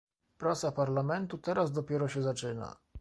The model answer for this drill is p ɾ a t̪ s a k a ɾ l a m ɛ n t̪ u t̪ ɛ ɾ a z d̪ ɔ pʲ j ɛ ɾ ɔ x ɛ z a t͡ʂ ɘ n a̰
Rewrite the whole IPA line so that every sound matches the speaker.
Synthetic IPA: p ɾ a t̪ s a p a ɾ l a m ɛ n t̪ u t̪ ɛ ɾ a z d̪ ɔ pʲ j ɛ ɾ ɔ ɕ ɛ z a t͡ʂ ɘ n a̰

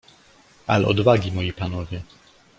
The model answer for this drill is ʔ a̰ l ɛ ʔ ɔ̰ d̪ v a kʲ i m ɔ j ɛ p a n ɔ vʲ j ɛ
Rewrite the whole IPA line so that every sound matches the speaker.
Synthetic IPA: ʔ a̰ l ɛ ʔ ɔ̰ d̪ v a ɡʲ i m ɔ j i p a n ɔ vʲ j ɛ

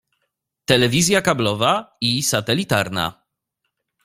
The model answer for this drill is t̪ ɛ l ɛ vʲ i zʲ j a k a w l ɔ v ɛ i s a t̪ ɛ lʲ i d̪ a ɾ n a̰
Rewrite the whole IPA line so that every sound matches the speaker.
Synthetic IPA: t̪ ɛ l ɛ vʲ i zʲ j a k a b l ɔ v a i s a t̪ ɛ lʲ i t̪ a ɾ n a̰

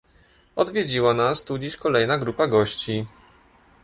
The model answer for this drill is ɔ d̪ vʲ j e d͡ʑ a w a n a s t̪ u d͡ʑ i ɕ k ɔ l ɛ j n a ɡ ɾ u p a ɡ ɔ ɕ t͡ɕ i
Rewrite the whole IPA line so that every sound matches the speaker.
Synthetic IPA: ɔ d̪ vʲ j e d͡ʑ i w a n a s t̪ u d͡ʑ i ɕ k ɔ l ɛ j n a ɡ ɾ u p a ɡ ɔ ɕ t͡ɕ i

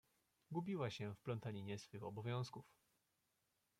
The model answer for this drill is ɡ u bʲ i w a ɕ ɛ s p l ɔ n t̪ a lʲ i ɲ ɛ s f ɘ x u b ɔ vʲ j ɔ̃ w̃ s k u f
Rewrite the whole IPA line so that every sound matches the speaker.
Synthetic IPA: ɡ u bʲ i w a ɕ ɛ f p l ɔ n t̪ a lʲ i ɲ ɛ s f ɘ x ɔ b ɔ vʲ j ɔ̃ w̃ s k u f

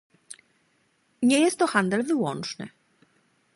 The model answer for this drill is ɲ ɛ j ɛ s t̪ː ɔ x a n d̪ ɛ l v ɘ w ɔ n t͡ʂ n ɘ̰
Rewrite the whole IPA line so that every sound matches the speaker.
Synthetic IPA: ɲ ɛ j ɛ s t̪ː ɔ x a n d̪ ɛ l v ɘ w ɔ n t͡ʂ n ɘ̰

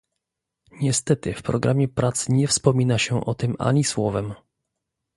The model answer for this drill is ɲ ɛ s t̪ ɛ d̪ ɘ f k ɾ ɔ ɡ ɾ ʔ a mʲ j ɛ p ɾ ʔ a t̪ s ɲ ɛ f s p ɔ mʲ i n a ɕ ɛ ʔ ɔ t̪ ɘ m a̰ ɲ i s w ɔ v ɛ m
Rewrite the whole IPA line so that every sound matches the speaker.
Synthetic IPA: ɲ ɛ s t̪ ɛ t̪ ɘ f p ɾ ɔ ɡ ɾ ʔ a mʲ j ɛ p ɾ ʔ a t̪ s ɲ ɛ f s p ɔ mʲ i n a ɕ ɛ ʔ ɔ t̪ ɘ m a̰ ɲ i s w ɔ v ɛ m

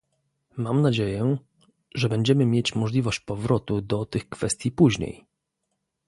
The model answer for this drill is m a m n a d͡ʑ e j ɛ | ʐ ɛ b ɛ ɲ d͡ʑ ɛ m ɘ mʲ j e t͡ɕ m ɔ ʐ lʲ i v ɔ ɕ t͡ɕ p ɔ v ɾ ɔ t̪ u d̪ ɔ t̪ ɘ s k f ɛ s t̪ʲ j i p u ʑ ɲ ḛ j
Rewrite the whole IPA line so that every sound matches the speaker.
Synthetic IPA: m a m n a d͡ʑ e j ɛ | ʐ ɛ b ɛ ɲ d͡ʑ ɛ m ɘ mʲ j e t͡ɕ m ɔ ʐ lʲ i v ɔ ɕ t͡ɕ p ɔ v ɾ ɔ t̪ u d̪ ɔ t̪ ɘ x k f ɛ s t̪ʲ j i p u ʑ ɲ ḛ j

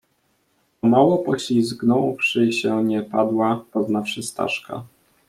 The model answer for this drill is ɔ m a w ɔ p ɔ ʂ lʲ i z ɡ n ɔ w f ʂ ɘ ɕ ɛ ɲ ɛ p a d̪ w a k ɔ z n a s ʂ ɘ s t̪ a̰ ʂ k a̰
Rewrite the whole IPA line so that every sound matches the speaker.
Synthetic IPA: ɔ m a w ɔ p ɔ ɕ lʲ i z ɡ n ɔ w f ʂ ɘ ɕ ɛ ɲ ɛ p a d̪ w a p ɔ z n a f ʂ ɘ s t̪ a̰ ʂ k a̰

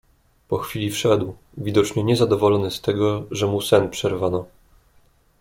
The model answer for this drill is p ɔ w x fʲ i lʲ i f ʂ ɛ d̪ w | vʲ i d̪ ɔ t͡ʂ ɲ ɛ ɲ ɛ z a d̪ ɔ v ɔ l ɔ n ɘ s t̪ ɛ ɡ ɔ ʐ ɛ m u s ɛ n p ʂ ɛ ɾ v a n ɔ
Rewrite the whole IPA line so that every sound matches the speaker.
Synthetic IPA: p ɔ x fʲ i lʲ i f ʂ ɛ d̪ w | vʲ i d̪ ɔ t͡ʂ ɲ ɛ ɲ ɛ z a d̪ ɔ v ɔ l ɔ n ɘ s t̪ ɛ ɡ ɔ ʐ ɛ m u s ɛ n p ʂ ɛ ɾ v a n ɔ

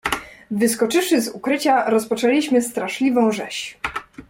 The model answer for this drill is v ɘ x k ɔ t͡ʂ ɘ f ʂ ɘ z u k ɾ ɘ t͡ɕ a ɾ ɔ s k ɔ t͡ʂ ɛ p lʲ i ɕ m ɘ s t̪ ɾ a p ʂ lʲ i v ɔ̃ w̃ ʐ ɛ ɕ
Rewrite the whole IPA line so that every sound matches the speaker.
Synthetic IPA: v ɘ s k ɔ t͡ʂ ɘ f ʂ ɘ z u k ɾ ɘ t͡ɕ a ɾ ɔ s p ɔ t͡ʂ ɛ lʲ i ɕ m ɘ s t̪ ɾ a ʂ lʲ i v ɔ̃ w̃ ʐ ɛ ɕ

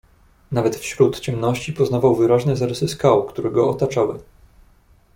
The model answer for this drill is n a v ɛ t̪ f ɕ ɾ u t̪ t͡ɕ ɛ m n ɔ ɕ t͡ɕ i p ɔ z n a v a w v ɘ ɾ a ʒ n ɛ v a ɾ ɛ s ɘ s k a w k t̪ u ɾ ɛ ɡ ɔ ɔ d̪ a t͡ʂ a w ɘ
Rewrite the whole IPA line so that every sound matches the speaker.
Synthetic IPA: n a v ɛ t̪ f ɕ ɾ u t̪ t͡ɕ ɛ m n ɔ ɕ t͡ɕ i p ɔ z n a v a w v ɘ ɾ a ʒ n ɛ z a ɾ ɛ s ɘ s k a w k t̪ u ɾ ɛ ɡ ɔ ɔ t̪ a t͡ʂ a w ɘ

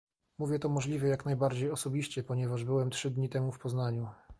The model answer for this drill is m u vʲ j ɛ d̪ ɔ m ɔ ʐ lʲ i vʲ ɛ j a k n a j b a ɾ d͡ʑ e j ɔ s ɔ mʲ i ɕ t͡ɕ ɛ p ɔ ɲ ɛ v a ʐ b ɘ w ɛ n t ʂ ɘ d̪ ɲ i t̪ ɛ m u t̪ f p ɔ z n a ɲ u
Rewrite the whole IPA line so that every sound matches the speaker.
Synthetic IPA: m u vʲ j ɛ t̪ ɔ m ɔ ʐ lʲ i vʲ ɛ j a k n a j b a ɾ d͡ʑ e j ɔ s ɔ bʲ i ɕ t͡ɕ ɛ p ɔ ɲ ɛ v a ʐ b ɘ w ɛ m t ʂ ɘ d̪ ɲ i t̪ ɛ m u f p ɔ z n a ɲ u

